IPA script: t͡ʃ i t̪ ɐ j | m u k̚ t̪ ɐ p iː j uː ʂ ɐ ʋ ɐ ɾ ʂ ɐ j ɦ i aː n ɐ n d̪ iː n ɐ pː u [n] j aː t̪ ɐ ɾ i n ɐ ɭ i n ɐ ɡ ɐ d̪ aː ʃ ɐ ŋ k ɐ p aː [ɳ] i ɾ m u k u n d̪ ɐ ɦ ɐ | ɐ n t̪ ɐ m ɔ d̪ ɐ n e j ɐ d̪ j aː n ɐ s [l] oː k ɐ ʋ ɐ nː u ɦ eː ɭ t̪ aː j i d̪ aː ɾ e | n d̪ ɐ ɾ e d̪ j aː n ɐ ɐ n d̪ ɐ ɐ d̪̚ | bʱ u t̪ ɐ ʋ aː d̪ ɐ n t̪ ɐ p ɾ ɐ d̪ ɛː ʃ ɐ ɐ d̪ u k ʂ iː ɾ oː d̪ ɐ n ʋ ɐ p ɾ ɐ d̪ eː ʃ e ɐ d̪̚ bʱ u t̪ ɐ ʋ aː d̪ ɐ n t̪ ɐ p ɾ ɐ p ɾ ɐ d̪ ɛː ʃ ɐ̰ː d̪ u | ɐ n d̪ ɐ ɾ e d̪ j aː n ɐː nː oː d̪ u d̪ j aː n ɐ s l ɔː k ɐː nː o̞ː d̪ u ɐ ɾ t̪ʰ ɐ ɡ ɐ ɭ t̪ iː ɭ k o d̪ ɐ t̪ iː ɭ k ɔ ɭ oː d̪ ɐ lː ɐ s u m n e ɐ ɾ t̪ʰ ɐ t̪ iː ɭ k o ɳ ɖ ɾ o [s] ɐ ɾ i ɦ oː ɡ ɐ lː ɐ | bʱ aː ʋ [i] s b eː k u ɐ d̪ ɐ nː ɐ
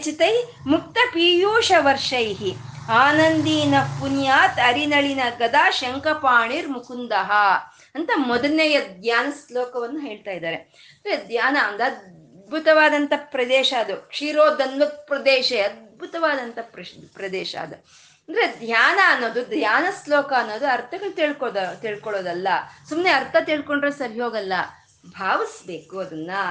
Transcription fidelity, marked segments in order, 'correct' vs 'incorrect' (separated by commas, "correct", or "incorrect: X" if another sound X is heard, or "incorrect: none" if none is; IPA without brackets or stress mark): correct, correct, correct, correct, correct